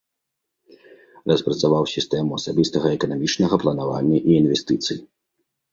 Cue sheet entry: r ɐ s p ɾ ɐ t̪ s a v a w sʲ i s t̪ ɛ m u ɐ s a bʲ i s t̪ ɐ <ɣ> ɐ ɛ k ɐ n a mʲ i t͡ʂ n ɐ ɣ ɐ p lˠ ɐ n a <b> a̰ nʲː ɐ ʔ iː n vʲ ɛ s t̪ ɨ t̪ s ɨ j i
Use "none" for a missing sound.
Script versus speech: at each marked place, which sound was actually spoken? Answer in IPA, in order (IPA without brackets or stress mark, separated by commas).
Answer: ɣ, v